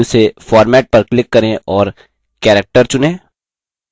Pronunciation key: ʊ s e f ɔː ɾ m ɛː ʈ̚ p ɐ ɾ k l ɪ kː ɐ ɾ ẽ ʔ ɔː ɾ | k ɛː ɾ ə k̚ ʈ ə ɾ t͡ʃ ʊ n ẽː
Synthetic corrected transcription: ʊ s e f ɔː ɾ m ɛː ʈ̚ p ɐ ɾ k l ɪ kː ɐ ɾ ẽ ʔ ɔː ɾ | k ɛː ɾ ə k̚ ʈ ə ɾ t͡ʃ ʊ n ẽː